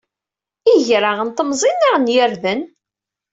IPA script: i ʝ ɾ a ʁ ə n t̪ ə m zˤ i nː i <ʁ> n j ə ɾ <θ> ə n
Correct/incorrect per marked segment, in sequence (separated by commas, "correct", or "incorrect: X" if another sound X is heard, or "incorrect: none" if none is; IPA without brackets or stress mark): correct, incorrect: ð